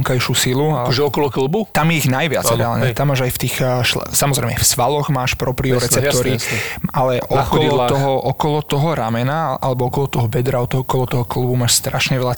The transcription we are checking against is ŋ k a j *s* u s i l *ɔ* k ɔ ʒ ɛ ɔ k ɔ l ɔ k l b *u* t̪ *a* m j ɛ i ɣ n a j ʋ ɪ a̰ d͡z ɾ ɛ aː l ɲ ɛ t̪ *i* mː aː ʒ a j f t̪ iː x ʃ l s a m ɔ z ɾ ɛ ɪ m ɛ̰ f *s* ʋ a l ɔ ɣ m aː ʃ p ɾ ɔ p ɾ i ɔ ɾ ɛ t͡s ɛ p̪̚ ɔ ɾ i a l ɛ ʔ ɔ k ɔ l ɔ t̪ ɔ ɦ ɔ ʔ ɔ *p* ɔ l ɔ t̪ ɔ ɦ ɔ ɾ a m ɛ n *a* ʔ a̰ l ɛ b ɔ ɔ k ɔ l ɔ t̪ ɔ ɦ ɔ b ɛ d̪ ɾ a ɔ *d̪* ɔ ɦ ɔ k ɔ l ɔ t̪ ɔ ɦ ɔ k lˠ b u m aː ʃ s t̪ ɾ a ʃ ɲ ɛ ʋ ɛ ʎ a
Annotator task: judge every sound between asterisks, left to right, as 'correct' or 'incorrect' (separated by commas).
incorrect, incorrect, correct, correct, incorrect, correct, incorrect, correct, incorrect